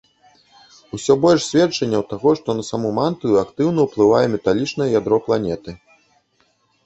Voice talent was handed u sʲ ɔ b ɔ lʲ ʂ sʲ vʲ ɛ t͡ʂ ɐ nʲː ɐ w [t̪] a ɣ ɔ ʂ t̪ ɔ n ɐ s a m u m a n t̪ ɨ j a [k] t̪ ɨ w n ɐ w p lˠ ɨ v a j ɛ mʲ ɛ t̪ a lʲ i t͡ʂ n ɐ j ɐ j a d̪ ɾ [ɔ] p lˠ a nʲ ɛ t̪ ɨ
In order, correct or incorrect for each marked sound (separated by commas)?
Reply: correct, correct, correct